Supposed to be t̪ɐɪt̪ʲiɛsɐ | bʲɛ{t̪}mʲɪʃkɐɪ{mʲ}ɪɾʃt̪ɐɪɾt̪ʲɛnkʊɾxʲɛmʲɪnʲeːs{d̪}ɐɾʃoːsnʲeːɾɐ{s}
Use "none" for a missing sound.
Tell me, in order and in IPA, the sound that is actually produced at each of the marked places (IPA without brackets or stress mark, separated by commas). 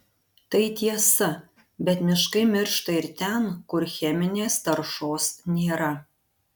t̪, mʲ, t̪, none